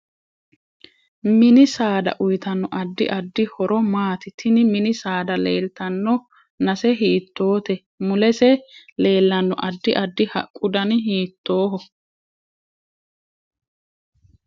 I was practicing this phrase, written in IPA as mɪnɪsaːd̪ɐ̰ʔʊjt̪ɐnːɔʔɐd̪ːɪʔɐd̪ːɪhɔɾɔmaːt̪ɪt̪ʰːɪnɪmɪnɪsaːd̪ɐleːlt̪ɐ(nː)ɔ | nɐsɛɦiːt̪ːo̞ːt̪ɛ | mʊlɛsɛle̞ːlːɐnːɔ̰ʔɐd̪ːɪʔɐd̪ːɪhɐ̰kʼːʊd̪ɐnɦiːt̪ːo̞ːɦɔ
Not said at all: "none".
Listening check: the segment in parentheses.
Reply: nː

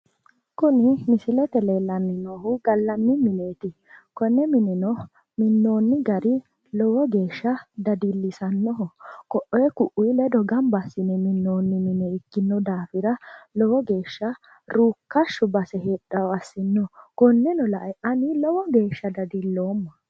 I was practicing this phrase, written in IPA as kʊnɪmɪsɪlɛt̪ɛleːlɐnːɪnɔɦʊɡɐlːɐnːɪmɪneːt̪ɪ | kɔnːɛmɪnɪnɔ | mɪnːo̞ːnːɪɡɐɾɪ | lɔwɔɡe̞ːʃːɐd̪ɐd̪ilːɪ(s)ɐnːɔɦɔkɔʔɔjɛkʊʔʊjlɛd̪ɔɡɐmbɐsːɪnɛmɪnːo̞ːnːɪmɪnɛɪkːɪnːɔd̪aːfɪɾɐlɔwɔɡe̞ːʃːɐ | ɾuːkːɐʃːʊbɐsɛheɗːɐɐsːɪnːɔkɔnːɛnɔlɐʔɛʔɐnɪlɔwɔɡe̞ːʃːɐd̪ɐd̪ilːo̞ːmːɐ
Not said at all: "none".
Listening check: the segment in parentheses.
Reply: s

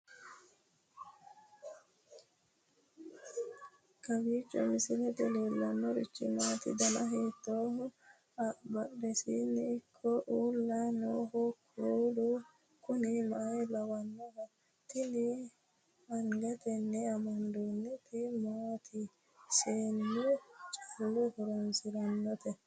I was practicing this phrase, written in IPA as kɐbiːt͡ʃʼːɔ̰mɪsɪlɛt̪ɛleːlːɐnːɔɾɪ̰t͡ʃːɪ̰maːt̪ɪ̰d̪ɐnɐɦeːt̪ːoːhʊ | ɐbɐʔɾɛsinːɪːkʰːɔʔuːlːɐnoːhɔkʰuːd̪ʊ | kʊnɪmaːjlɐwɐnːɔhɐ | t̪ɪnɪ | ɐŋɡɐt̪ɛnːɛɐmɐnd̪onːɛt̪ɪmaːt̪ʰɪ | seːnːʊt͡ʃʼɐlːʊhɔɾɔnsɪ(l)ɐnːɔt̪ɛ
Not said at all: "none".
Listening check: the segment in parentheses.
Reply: ɾ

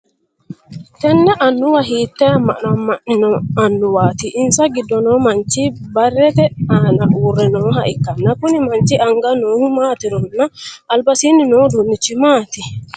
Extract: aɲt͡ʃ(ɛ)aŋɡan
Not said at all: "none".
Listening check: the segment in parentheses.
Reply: i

